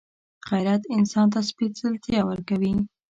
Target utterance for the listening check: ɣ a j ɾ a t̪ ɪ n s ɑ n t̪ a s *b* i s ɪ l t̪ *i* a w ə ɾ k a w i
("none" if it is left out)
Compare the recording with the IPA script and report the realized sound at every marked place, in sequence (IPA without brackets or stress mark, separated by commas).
p, j